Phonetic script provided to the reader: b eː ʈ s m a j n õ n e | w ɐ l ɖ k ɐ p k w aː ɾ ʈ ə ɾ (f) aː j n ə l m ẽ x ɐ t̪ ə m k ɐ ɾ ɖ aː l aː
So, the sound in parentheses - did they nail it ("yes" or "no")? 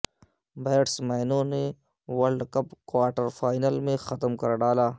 yes